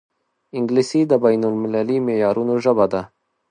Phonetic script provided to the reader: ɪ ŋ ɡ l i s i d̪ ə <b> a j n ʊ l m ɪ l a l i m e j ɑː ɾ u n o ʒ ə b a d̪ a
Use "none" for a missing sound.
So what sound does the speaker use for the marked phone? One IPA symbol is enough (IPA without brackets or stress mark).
b